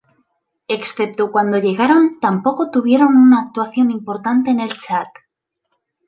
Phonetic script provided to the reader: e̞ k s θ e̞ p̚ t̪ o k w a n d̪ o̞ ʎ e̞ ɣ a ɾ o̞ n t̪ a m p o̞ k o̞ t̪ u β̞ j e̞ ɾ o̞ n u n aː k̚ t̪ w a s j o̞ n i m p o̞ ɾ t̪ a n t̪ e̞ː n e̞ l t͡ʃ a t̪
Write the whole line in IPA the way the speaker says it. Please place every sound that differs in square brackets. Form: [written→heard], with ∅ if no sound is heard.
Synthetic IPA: e̞ k s θ e̞ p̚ t̪ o k w a n d̪ o̞ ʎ e̞ ɣ a ɾ o̞ n t̪ a m p o̞ k o̞ t̪ u β̞ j e̞ ɾ o̞ n u n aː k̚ t̪ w a [s→θ] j o̞ n i m p o̞ ɾ t̪ a n t̪ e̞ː n e̞ l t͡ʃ a t̪